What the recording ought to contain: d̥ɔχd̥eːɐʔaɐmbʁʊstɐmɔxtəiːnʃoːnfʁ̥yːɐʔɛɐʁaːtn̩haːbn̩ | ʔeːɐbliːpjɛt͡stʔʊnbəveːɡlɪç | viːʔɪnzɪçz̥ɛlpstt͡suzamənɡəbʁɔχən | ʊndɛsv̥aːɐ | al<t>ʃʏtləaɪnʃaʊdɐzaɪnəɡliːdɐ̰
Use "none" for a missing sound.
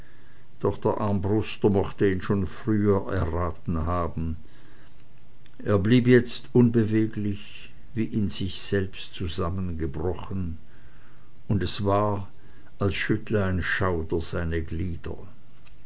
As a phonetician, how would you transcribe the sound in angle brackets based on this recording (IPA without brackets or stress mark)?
s